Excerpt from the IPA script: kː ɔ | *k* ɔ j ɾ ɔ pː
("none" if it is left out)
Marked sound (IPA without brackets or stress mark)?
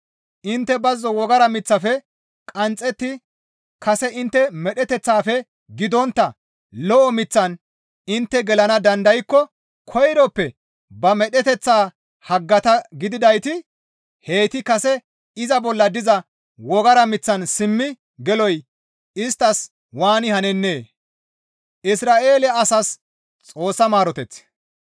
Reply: kʰ